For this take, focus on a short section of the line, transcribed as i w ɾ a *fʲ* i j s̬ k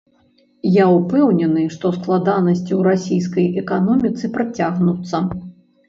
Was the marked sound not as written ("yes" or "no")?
yes